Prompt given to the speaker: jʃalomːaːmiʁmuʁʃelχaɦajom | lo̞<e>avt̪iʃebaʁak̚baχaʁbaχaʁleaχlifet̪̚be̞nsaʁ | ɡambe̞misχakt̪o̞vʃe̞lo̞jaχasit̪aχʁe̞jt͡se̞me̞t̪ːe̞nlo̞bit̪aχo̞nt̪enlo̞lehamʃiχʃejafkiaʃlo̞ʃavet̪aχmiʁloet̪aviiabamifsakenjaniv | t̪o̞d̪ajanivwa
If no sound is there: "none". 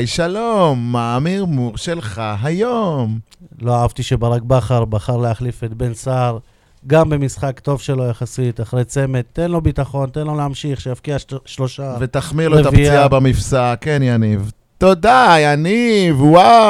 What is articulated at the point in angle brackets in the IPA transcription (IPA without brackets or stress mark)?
a